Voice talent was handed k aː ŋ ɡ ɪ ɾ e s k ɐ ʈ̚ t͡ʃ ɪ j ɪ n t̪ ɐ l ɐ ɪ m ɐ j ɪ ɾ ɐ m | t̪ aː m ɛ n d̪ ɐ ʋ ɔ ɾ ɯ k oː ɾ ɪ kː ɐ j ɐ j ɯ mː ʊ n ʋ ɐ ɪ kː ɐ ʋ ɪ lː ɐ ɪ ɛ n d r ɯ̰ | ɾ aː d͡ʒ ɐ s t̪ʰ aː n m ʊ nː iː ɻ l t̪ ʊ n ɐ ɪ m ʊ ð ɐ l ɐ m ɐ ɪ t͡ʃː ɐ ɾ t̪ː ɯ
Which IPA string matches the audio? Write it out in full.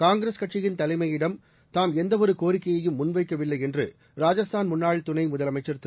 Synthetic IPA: k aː ŋ ɡ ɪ ɾ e s k ɐ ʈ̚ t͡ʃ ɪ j ɪ n t̪ ɐ l ɐ ɪ m ɐ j ɪ ɽ ɐ m | t̪ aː m ɛ n d̪ ɐ ʋ ɔ ɾ ɯ k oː ɾ ɪ kː ɐ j ɐ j ɯ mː ʊ n ʋ ɐ ɪ kː ɐ ʋ ɪ lː ɐ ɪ ɛ n d r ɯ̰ | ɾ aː d͡ʒ ɐ s t̪ʰ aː n m ʊ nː aː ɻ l t̪ ʊ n ɐ ɪ m ʊ ð ɐ l ɐ m ɐ ɪ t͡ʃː ɐ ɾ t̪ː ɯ